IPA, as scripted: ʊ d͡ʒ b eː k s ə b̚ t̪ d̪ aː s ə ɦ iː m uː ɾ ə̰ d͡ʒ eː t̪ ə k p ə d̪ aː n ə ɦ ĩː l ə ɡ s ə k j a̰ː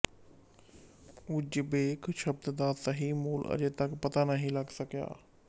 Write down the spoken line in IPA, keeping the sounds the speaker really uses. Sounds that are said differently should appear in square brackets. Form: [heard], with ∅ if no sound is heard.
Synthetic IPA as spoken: ʊ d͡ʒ b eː k [ʃ] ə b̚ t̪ d̪ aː s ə ɦ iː m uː [l] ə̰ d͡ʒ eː t̪ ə k p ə [t̪] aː n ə ɦ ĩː l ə ɡ s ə k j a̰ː